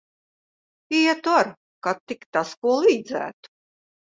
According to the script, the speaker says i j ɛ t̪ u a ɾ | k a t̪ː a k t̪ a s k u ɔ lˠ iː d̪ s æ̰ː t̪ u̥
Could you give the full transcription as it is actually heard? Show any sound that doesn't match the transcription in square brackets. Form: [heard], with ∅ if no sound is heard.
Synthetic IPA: i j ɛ t̪ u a ɾ | k a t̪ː [i] k t̪ a s k u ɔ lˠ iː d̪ [z] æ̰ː t̪ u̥